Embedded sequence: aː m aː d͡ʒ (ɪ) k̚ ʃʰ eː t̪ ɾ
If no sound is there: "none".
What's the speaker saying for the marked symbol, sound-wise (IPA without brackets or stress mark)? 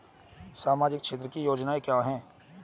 ɪ